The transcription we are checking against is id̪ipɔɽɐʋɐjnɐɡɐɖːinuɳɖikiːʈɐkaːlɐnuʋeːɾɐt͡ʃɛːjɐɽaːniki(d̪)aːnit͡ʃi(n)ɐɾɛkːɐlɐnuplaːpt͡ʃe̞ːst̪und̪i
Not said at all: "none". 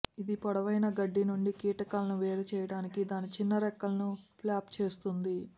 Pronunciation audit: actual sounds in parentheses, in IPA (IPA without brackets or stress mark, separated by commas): d̪, nː